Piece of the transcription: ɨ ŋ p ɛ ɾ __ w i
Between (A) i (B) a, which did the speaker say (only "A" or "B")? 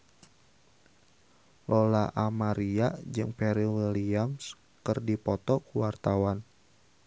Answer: A